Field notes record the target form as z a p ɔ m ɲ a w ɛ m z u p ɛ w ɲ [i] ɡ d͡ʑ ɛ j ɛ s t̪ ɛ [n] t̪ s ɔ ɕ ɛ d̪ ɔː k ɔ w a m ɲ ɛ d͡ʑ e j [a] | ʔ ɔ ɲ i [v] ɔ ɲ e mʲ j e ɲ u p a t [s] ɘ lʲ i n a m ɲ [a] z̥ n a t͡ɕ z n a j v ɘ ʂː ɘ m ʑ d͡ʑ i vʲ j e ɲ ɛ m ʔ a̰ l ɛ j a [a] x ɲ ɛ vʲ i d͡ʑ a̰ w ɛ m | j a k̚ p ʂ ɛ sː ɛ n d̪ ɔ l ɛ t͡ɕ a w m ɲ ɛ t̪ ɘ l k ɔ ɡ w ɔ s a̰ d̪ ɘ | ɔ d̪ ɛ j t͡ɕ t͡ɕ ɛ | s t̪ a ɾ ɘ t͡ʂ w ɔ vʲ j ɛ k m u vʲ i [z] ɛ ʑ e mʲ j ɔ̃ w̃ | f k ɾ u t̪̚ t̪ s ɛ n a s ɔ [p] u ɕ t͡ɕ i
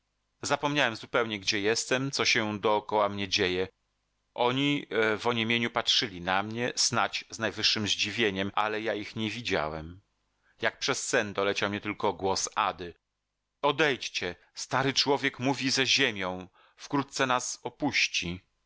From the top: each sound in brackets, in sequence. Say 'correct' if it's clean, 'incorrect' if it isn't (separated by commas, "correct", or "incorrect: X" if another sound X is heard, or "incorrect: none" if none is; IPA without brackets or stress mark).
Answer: incorrect: ɛ, incorrect: m, incorrect: ɛ, correct, incorrect: ʂ, incorrect: ɛ, incorrect: i, correct, correct